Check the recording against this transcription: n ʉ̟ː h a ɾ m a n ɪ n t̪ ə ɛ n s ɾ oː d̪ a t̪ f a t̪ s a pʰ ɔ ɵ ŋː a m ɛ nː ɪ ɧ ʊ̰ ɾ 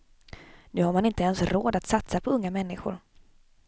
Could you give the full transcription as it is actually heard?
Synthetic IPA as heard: n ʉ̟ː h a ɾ m a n ɪ n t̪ ə ɛ n s ɾ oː d̪ a t̪ s a t̪ s a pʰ ɔ ɵ ŋː a m ɛ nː ɪ ɧ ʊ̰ ɾ